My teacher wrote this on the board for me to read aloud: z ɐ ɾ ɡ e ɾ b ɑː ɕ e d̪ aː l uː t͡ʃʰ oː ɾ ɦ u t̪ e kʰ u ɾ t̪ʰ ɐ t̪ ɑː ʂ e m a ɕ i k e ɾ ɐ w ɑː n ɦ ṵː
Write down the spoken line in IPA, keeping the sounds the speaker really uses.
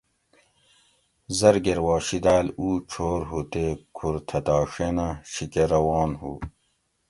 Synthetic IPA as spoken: z ɐ ɾ ɡ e ɾ w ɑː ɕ i d̪ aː l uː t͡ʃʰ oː ɾ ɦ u t̪ e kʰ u ɾ t̪ʰ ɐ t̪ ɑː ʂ e n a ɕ i k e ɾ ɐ w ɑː n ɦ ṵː